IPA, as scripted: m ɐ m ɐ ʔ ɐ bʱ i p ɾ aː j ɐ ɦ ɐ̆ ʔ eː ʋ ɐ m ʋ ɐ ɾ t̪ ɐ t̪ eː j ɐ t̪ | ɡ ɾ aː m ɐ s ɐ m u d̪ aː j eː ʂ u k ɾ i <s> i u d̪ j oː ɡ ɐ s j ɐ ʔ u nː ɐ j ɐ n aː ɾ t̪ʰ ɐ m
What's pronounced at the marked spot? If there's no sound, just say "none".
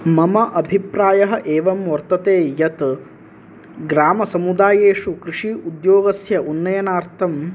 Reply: ʂ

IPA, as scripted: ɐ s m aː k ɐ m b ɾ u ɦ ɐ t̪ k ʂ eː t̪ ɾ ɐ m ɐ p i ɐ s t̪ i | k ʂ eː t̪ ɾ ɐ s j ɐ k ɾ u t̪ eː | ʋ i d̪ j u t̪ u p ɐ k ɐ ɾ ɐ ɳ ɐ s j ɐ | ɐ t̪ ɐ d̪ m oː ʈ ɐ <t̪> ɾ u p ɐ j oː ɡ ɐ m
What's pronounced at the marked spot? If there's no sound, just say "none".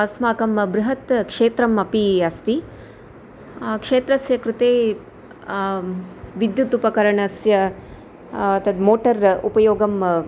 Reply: none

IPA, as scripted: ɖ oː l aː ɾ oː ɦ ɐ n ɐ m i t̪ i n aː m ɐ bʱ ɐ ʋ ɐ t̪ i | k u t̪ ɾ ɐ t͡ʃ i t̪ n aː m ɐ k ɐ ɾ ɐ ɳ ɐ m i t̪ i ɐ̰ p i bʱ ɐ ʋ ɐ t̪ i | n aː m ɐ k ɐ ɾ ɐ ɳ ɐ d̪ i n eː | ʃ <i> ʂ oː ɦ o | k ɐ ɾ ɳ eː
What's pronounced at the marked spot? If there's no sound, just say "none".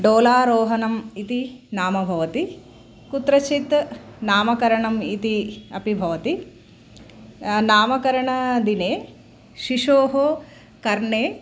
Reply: i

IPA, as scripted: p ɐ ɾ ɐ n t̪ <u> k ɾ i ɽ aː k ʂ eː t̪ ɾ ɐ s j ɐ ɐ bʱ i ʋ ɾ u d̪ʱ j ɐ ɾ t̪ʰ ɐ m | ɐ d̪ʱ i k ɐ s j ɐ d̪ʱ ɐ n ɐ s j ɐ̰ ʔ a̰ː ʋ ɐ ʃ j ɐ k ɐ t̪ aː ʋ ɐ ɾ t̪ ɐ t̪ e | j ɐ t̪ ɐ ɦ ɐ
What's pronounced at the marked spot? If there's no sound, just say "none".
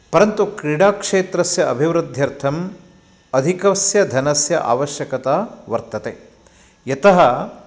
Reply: u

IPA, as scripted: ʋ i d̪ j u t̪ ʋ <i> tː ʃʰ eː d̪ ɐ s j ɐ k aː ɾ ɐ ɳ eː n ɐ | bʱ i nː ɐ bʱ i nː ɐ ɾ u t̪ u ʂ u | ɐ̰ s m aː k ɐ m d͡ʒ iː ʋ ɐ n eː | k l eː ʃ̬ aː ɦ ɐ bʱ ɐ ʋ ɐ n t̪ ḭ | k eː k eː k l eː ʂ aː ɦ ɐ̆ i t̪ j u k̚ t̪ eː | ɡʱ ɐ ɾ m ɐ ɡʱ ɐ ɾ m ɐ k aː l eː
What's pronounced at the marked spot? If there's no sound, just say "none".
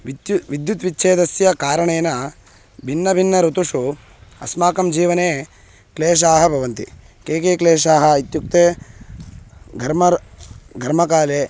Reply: i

